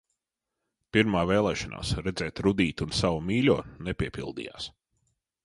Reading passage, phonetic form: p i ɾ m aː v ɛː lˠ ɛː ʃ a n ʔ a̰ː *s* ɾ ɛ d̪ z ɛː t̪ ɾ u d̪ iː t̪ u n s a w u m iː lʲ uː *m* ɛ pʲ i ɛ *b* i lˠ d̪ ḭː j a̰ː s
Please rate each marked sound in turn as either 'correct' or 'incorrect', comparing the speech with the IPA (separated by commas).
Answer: correct, incorrect, incorrect